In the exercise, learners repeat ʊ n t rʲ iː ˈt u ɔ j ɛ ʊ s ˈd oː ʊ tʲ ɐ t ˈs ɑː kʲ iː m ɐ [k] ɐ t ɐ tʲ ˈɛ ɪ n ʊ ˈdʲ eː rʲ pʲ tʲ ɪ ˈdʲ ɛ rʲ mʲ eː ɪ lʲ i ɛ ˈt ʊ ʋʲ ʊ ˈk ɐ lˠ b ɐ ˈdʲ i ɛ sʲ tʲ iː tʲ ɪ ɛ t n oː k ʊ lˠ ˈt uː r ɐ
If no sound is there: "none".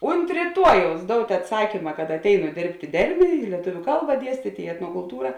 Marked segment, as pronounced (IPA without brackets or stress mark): k